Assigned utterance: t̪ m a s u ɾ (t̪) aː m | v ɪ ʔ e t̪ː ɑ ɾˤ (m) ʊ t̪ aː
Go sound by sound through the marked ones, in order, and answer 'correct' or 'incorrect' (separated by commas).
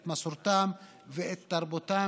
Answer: correct, incorrect